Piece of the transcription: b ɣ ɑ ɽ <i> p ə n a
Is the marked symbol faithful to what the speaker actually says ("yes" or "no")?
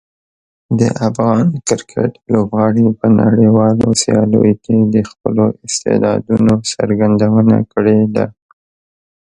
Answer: yes